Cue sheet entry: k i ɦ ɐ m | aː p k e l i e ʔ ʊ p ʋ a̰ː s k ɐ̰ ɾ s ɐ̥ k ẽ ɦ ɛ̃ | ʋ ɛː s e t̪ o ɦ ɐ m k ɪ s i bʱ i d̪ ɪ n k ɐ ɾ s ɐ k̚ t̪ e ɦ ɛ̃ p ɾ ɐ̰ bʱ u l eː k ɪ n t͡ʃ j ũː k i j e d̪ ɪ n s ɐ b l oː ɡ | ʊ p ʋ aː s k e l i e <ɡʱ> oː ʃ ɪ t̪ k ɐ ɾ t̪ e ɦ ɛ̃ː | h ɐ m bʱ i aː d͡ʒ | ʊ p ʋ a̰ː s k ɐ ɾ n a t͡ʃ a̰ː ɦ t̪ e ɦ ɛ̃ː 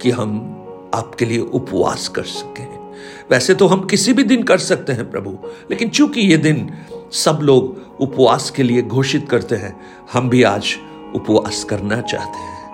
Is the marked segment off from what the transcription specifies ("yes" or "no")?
no